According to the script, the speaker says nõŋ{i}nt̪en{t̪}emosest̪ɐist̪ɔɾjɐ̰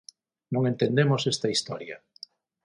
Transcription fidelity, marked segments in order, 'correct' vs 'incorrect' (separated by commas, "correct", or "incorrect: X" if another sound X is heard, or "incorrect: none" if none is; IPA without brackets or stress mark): incorrect: e, incorrect: d̪